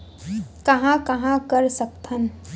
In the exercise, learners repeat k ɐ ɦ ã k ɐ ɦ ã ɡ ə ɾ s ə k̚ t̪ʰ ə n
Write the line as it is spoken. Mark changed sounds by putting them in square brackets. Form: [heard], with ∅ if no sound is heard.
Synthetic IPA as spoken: k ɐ ɦ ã k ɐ ɦ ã [k] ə ɾ s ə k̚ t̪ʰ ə n